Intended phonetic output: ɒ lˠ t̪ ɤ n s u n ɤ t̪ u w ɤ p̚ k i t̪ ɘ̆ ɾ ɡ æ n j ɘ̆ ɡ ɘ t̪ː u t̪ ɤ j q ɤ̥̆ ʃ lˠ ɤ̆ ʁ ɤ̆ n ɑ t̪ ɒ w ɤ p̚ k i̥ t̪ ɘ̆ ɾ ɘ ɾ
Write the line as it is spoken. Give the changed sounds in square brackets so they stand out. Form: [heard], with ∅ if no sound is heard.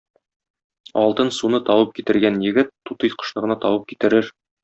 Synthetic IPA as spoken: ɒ lˠ t̪ ɤ n s u n ɤ t̪ [ɒ] w ɤ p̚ k i t̪ ɘ̆ ɾ ɡ æ n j ɘ̆ ɡ ɘ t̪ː u t̪ ɤ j q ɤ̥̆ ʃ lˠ ɤ̆ ʁ ɤ̆ n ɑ t̪ ɒ w ɤ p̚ k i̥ t̪ ɘ̆ ɾ ɘ ɾ